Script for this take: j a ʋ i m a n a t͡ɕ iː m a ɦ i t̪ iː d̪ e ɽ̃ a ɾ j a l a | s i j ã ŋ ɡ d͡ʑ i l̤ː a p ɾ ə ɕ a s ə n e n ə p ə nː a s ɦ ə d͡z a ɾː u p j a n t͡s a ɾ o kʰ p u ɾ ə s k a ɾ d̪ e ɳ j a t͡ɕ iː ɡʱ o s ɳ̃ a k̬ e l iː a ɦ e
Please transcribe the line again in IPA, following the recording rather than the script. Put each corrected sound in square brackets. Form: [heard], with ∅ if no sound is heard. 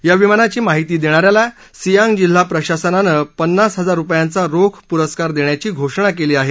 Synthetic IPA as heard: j a ʋ i m a n a t͡ɕ iː m a ɦ i t̪ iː d̪ e ɽ̃ a ɾ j a l a | s i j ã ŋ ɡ d͡ʑ i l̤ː a p ɾ ə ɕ a s ə n [a] n ə p ə nː a s ɦ ə d͡z a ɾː u p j a n t͡s a ɾ o kʰ p u ɾ ə s k a ɾ d̪ e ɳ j a t͡ɕ iː ɡʱ o [ʂ] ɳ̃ a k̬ e l iː a ɦ e